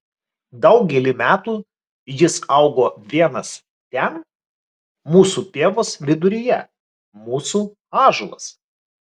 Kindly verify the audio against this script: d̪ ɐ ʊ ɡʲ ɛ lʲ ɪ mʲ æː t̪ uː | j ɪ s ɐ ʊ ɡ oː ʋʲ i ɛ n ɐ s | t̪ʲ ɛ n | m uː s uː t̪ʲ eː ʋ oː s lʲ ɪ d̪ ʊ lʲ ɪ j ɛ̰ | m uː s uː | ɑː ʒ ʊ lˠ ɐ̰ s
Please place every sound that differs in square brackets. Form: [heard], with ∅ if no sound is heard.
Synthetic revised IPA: d̪ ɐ ʊ ɡʲ ɛ lʲ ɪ mʲ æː t̪ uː | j ɪ s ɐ ʊ ɡ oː ʋʲ i ɛ n ɐ s | t̪ʲ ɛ n | m uː s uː t̪ʲ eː ʋ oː s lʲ ɪ d̪ ʊ [ɾʲ] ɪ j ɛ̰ | m uː s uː | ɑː ʒ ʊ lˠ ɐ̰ s